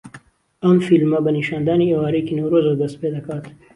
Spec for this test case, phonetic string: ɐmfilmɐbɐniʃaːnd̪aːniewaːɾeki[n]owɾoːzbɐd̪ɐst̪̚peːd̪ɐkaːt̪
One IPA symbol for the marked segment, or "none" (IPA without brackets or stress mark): n